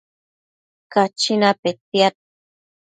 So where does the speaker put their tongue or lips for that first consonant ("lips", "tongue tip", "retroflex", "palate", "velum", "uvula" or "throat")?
velum